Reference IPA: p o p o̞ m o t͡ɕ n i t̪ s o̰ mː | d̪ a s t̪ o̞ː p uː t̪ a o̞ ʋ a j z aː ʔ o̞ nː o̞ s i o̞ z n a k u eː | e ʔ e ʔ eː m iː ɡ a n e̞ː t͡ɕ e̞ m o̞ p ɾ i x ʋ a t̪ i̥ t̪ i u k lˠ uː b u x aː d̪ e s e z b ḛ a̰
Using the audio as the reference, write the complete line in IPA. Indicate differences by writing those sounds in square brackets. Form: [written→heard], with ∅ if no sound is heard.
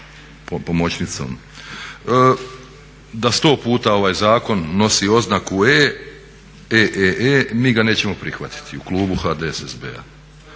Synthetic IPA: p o p o̞ m o t͡ɕ n i t̪ s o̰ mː | d̪ a s t̪ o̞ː p uː t̪ a o̞ ʋ a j z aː [ʔ→k] o̞ nː o̞ s i o̞ z n a k u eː | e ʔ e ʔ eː m iː ɡ a n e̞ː t͡ɕ e̞ m o̞ p ɾ i x ʋ a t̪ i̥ t̪ i u k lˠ uː b u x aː d̪ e s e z b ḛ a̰

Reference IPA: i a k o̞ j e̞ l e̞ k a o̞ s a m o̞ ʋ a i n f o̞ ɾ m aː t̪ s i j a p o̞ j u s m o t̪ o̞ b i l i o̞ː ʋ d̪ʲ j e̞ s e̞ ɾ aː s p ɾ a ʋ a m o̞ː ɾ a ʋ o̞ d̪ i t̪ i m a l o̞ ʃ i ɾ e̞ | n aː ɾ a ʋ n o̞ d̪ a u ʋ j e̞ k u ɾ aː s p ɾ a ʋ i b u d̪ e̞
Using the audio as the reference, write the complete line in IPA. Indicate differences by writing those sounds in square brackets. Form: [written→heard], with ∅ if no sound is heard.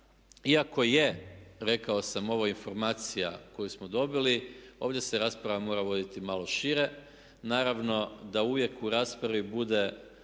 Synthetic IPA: i a k o̞ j e̞ [l→ɾ] e̞ k a o̞ s a m o̞ ʋ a i n f o̞ ɾ m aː t̪ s i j a [p→k] o̞ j u s m o [t̪→d̪] o̞ b i l i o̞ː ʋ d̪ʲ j e̞ s e̞ ɾ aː s p ɾ a ʋ a m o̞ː ɾ a ʋ o̞ d̪ i t̪ i m a l o̞ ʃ i ɾ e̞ | n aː ɾ a ʋ n o̞ d̪ a u ʋ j e̞ k u ɾ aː s p ɾ a ʋ i b u d̪ e̞

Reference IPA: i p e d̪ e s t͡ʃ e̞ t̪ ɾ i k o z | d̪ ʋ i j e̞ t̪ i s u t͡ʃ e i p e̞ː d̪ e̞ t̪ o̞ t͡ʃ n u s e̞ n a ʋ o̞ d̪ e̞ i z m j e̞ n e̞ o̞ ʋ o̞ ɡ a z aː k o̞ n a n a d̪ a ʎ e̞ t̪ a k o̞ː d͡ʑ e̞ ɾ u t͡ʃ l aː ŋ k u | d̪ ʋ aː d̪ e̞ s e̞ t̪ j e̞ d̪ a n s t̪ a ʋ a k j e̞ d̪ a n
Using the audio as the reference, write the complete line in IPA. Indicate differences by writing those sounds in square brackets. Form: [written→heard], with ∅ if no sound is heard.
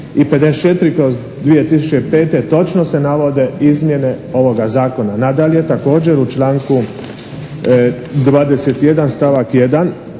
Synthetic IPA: i p e d̪ e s t͡ʃ e̞ t̪ ɾ i k o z | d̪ ʋ i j e̞ t̪ i s u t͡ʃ e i p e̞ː [d̪→t̪] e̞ t̪ o̞ t͡ʃ n [u→o] s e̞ n a ʋ o̞ d̪ e̞ i z m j e̞ n e̞ o̞ ʋ o̞ ɡ a z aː k o̞ n a n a d̪ a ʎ e̞ t̪ a k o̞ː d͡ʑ e̞ ɾ u t͡ʃ l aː ŋ k u | d̪ ʋ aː d̪ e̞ s e̞ t̪ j e̞ d̪ a n s t̪ a ʋ a k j e̞ d̪ a n

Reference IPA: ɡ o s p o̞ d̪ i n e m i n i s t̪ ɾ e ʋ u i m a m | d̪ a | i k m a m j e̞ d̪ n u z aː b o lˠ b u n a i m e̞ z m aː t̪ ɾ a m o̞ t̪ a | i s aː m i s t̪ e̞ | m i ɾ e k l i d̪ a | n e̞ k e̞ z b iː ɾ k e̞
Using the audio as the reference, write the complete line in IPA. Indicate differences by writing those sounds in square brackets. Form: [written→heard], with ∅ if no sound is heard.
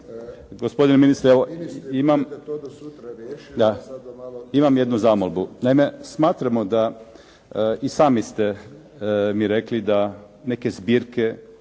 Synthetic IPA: ɡ o s p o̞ d̪ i n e m i n i s t̪ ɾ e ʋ [u→o] i m a m | d̪ a | i [k→∅] m a m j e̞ d̪ n u z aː [b→m] o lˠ b u n a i m e̞ [z→s] m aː t̪ ɾ a m o̞ [t̪→d̪] a | i s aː m i s t̪ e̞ | m i ɾ e k l i d̪ a | n e̞ k e̞ z b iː ɾ k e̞

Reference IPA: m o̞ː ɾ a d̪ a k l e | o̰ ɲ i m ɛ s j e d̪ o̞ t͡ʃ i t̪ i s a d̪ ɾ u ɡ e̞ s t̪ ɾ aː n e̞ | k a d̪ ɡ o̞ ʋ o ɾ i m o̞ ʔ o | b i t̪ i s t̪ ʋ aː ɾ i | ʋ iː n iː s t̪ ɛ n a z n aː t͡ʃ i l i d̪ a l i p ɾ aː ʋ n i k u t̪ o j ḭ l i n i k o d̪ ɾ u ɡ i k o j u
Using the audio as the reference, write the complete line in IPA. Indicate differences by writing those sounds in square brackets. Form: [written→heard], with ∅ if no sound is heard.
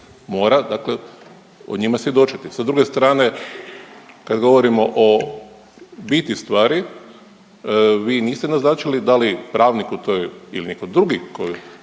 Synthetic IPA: m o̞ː ɾ a d̪ a k l e | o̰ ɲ i m [ɛ→a] s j e d̪ o̞ t͡ʃ i t̪ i s a d̪ ɾ u ɡ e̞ s t̪ ɾ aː n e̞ | k a d̪ ɡ o̞ ʋ o ɾ i m o̞ ʔ o | b i t̪ i s t̪ ʋ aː ɾ i | ʋ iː n iː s t̪ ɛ n a z n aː t͡ʃ i l i d̪ a l i p ɾ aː ʋ n i k u t̪ o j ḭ l i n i k o d̪ ɾ u ɡ i k o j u

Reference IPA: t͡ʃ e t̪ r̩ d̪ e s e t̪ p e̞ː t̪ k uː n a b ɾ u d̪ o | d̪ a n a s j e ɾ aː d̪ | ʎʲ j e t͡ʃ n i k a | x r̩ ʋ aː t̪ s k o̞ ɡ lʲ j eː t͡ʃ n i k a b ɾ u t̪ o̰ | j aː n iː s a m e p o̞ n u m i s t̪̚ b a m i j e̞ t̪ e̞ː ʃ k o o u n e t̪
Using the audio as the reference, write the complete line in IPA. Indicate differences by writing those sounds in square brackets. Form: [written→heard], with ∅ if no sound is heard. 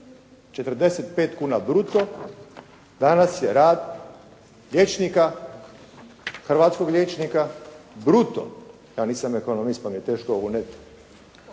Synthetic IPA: t͡ʃ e t̪ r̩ d̪ e s e t̪ p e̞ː t̪ k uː n a b ɾ u [d̪→t̪] o | d̪ a n a s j e ɾ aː d̪ | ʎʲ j e t͡ʃ n i k a | x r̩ ʋ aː t̪ s k o̞ ɡ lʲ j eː t͡ʃ n i k a b ɾ u t̪ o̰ | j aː n iː s a m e [p→k] o̞ n [u→o] m i s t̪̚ [b→p] a m i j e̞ t̪ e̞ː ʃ k o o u n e t̪

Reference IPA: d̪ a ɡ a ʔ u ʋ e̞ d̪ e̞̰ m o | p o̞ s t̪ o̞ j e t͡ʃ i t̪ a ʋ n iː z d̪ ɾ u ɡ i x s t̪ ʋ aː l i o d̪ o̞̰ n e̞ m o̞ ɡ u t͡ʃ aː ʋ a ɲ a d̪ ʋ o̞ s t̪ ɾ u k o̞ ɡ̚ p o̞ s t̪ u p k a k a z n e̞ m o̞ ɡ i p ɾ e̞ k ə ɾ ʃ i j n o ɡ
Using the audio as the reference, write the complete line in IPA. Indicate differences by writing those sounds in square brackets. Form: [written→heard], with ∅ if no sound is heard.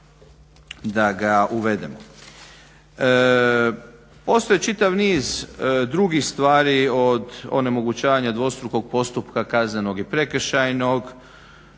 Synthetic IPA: d̪ a ɡ a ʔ u ʋ e̞ d̪ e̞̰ m o | p o̞ s t̪ o̞ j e t͡ʃ i t̪ a ʋ n iː z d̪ ɾ u ɡ i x s t̪ ʋ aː [l→ɾ] i o d̪ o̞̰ n e̞ m o̞ ɡ u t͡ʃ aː ʋ a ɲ a d̪ ʋ o̞ s t̪ ɾ u k o̞ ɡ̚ p o̞ s t̪ u p k a k a z n e̞ [m→n] o̞ ɡ i p ɾ e̞ k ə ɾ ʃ [i→a] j n o ɡ

